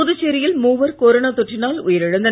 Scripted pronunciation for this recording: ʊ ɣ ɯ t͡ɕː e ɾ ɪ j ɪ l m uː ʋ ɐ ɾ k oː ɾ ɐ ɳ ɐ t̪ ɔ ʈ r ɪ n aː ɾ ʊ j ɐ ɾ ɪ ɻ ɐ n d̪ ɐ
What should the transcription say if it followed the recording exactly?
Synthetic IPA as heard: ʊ ð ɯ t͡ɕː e ɾ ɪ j ɪ l m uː ʋ ɐ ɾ k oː ɾ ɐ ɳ ɐ t̪ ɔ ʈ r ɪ n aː l ʊ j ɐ ɾ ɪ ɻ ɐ n d̪ ɐ